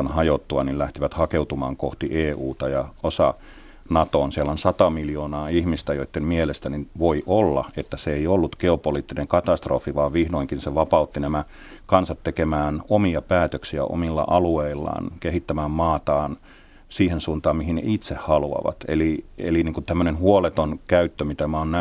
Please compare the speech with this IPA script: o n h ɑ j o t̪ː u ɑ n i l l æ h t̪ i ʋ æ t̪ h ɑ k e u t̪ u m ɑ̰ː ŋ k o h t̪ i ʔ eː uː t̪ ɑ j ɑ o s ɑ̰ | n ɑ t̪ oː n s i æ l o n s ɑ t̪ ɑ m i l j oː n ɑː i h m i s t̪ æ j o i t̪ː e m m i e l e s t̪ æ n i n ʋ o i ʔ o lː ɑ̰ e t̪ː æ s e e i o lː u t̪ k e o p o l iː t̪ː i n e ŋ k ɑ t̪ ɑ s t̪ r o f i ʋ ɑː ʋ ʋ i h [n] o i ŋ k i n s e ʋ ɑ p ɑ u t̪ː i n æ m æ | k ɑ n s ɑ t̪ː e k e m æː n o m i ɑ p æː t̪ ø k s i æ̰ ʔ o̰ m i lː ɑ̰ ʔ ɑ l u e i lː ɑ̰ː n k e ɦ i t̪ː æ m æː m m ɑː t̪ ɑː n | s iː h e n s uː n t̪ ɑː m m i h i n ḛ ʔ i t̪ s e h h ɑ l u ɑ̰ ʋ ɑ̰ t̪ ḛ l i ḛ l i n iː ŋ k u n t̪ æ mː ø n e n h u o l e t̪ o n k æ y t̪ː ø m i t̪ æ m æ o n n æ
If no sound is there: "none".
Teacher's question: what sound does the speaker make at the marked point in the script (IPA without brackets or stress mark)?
n